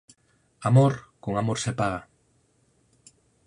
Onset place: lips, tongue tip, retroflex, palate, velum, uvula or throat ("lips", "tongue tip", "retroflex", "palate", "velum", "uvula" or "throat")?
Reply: lips